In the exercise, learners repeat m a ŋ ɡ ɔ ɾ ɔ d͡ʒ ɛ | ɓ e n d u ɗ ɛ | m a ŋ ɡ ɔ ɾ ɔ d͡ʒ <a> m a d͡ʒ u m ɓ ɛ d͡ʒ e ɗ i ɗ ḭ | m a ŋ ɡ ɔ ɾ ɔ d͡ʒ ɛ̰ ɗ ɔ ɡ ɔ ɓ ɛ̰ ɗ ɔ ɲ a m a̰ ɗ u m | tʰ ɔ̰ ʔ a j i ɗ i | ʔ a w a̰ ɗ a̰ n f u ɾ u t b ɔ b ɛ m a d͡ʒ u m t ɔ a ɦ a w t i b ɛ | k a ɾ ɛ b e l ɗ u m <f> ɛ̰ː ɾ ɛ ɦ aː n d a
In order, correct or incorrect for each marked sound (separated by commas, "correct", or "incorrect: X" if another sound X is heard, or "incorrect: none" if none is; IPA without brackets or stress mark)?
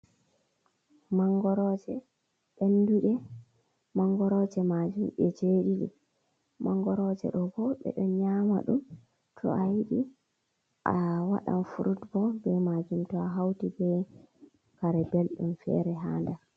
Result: incorrect: ɛ, correct